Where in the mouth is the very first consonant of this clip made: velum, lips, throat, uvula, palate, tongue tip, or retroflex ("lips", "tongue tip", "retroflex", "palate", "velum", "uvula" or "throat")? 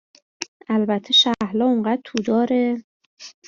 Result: tongue tip